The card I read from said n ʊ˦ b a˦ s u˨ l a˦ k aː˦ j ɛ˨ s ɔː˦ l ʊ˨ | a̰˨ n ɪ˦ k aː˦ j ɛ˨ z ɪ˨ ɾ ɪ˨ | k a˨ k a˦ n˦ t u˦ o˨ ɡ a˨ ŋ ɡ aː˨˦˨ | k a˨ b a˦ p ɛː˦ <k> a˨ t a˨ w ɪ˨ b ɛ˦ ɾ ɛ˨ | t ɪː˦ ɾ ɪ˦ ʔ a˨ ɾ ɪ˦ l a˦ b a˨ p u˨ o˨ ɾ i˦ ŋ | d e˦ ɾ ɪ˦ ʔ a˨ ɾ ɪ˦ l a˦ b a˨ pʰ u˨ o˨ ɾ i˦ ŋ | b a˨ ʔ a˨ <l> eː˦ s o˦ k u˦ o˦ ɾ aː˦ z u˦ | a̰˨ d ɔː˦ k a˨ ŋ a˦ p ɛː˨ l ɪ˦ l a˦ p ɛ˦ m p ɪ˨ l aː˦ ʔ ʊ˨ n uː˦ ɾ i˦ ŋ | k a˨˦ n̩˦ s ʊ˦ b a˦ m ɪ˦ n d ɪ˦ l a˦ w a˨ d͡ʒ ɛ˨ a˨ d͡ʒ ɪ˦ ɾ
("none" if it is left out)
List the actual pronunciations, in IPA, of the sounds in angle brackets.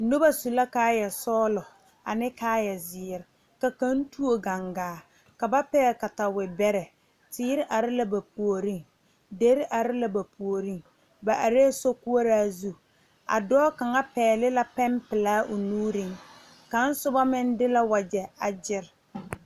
k, ɾ

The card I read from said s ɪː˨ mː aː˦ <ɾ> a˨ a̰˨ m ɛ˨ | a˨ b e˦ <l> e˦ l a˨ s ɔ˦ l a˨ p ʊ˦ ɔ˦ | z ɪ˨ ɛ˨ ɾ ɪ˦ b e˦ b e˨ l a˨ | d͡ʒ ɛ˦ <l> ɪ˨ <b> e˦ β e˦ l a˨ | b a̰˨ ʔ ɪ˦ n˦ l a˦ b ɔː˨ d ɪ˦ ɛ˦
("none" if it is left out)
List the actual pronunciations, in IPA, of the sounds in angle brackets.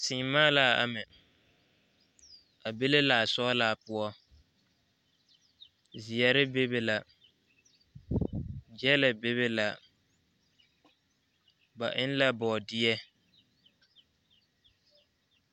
l, l, l, b

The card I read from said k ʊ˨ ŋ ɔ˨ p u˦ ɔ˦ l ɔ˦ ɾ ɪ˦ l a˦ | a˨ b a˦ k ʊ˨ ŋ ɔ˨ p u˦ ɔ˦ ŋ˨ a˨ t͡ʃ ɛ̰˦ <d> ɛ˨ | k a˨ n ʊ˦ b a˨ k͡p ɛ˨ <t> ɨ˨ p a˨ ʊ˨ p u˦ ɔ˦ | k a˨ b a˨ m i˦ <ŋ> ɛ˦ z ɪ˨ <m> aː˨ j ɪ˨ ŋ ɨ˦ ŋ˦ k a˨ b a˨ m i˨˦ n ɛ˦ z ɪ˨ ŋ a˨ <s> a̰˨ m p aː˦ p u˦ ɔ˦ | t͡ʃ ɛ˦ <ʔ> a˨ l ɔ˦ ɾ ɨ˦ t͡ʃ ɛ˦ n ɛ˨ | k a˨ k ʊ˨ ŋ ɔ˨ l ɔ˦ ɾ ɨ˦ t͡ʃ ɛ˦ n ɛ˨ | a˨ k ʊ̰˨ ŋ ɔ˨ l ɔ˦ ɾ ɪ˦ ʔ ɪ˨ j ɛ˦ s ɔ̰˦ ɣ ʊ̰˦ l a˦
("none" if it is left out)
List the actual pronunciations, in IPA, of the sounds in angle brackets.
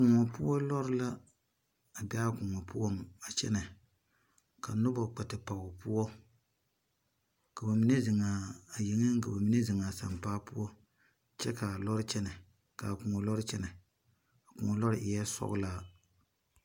n, t, n, ŋ, s, k

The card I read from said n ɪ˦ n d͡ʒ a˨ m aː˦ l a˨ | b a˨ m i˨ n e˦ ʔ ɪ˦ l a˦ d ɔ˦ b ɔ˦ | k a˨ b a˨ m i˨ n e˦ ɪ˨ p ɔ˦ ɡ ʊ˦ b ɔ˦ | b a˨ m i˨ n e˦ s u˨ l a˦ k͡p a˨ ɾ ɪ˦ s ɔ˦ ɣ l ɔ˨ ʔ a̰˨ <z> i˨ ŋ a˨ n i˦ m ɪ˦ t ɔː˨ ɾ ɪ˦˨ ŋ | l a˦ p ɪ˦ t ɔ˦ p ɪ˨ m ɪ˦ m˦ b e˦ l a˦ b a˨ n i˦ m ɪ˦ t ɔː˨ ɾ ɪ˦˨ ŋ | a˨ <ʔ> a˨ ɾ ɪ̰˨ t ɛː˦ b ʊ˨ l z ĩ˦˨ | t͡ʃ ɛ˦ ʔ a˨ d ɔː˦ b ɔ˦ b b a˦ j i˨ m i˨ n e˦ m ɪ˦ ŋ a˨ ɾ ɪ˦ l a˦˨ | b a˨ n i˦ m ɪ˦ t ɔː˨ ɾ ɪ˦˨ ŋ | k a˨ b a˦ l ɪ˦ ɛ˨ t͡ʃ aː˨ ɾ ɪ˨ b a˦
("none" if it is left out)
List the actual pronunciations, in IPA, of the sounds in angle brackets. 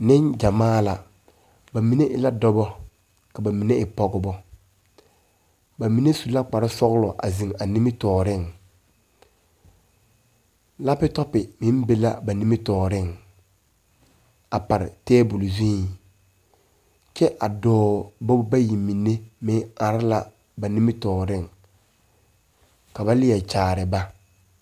z, p

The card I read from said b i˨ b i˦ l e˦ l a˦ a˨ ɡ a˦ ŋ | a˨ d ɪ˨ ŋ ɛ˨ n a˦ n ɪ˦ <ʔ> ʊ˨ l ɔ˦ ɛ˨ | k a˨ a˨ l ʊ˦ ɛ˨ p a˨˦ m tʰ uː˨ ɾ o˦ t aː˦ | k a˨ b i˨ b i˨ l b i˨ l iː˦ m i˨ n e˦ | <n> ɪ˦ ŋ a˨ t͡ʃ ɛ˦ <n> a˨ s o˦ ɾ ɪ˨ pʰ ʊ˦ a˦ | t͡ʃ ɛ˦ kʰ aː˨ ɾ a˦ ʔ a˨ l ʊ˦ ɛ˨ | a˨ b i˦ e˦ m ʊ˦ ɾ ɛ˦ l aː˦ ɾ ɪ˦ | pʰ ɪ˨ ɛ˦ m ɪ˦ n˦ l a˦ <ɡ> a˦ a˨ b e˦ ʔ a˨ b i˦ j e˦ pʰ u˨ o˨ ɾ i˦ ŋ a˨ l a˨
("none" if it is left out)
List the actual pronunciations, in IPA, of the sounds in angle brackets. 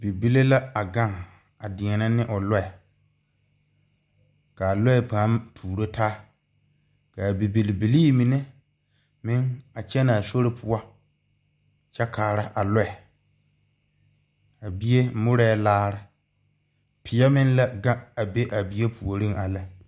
ʔ, m, n, ɡ

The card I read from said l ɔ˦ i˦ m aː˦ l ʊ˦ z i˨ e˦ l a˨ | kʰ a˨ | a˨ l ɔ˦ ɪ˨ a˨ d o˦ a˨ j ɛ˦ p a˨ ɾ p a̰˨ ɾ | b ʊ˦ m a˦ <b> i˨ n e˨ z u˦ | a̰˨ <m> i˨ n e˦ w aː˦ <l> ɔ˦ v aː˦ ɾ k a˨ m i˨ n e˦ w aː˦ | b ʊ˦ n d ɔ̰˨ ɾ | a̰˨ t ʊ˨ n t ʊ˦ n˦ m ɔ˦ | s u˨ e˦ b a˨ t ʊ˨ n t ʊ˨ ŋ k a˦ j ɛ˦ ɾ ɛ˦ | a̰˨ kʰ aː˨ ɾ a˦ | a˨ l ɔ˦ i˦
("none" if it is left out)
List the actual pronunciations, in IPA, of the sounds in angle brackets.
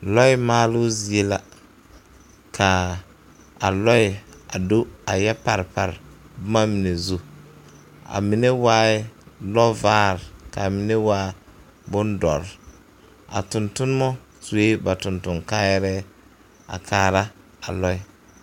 m, m, l

